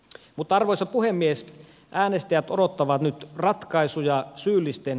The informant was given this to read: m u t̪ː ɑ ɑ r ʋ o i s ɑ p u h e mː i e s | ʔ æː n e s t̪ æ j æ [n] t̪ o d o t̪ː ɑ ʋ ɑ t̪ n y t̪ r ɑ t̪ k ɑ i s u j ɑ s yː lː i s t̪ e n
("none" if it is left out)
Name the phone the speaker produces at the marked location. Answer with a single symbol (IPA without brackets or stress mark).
none